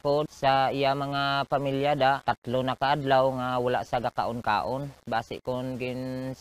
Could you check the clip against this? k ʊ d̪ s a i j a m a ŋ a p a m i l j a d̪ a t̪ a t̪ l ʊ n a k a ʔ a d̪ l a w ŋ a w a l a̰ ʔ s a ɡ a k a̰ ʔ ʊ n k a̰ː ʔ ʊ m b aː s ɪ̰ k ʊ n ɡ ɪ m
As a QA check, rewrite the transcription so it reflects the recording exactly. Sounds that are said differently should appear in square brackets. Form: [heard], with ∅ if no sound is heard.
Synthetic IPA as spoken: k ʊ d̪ s a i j a m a ŋ a p a m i l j a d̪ a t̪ a t̪ l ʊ n a k a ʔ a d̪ l a w ŋ a w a l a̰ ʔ s a ɡ a k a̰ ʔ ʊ n k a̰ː ʔ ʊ [n] b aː s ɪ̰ k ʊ n ɡ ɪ [n]